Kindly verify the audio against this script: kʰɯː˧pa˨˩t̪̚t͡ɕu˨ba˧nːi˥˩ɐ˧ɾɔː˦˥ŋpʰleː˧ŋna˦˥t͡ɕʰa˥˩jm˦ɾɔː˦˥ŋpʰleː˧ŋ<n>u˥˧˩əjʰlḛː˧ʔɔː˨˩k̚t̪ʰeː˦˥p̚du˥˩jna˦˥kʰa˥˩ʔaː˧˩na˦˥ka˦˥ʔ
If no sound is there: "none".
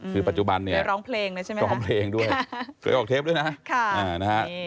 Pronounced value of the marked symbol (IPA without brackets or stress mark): d